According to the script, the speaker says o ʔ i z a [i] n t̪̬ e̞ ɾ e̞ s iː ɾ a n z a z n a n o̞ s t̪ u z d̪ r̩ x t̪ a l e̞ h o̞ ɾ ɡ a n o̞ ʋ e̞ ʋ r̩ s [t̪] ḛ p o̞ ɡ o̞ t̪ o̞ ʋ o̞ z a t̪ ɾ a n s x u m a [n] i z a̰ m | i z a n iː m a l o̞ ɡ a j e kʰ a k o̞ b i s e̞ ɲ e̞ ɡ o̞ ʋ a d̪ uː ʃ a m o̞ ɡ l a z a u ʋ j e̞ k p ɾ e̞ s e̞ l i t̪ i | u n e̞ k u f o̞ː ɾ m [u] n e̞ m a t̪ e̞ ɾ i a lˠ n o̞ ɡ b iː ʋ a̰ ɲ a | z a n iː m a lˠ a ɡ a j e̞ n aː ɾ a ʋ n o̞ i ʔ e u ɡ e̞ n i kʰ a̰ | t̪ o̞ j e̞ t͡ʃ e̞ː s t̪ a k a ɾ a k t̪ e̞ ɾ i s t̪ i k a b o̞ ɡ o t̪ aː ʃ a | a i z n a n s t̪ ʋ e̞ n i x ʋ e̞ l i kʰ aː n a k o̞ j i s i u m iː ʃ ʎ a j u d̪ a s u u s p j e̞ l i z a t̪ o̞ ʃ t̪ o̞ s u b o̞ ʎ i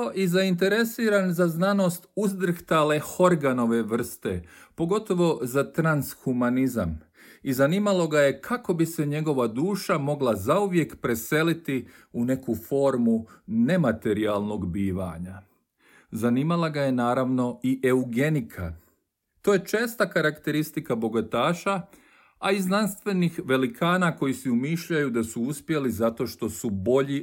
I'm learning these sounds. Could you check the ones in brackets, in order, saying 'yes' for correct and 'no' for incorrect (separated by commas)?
yes, yes, yes, yes